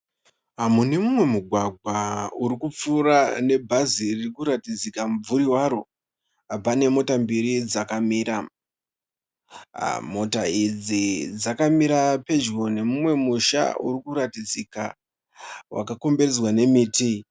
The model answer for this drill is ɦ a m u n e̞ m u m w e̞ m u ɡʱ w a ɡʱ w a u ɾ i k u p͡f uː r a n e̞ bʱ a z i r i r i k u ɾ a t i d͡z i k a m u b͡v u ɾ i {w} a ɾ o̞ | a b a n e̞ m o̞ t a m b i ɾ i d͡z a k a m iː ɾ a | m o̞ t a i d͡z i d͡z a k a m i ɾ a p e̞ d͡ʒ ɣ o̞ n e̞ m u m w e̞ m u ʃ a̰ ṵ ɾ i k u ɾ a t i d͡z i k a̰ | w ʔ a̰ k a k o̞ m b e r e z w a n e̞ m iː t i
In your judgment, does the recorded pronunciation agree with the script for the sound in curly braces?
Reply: yes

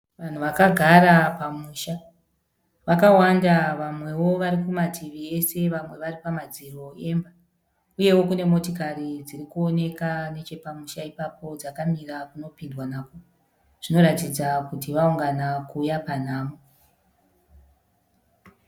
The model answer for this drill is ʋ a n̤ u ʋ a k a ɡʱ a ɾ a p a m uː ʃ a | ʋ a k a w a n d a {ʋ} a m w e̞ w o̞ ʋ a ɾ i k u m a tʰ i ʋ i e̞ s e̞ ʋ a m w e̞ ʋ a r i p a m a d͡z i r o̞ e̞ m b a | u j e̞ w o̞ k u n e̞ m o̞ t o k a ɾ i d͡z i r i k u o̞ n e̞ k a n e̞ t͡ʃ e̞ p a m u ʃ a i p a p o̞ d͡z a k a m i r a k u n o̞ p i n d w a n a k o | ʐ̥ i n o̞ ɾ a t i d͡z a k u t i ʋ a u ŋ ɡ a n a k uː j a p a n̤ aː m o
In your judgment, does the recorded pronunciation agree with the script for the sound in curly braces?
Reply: yes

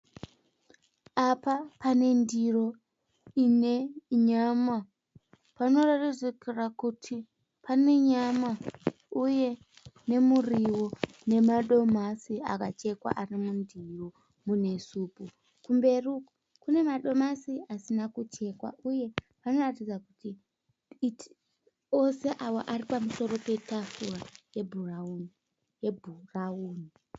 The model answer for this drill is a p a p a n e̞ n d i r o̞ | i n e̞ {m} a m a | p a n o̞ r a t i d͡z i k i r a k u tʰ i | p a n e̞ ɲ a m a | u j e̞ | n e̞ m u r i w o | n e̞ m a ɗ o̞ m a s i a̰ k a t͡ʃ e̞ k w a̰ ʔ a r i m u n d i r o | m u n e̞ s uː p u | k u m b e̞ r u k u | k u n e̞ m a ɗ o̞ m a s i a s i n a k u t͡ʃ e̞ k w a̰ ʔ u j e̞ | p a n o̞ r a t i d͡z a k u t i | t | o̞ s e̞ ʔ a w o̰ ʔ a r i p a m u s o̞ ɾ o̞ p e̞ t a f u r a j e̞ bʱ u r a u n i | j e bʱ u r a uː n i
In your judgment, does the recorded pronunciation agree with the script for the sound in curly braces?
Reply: no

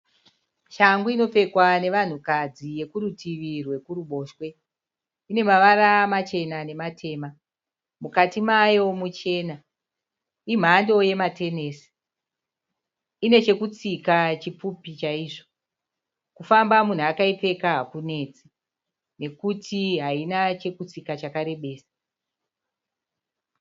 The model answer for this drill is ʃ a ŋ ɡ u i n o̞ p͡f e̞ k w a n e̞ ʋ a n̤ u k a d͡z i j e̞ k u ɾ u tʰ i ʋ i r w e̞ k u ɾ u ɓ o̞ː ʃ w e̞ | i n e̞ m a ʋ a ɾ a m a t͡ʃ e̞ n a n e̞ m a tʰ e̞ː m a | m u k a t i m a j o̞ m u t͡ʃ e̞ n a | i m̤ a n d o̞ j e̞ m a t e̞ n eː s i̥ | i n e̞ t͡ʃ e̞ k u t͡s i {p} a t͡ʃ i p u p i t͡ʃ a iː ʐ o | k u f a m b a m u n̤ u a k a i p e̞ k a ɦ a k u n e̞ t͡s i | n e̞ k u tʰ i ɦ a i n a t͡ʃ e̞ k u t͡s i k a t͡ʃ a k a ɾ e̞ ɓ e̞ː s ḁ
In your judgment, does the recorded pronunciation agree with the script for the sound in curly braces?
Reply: no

